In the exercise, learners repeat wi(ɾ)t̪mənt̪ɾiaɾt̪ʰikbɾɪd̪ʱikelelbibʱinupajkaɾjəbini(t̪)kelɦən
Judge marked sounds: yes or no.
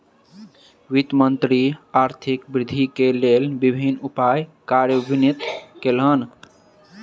no, yes

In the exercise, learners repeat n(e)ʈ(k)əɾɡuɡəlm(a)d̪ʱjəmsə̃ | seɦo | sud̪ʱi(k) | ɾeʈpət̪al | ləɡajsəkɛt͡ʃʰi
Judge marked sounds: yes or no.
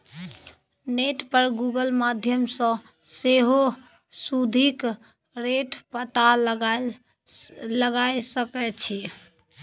yes, no, yes, yes

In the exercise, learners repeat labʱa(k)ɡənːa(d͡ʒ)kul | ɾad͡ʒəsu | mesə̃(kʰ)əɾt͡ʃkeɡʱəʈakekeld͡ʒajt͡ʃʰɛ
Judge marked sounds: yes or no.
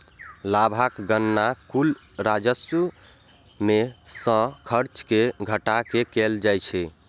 yes, no, yes

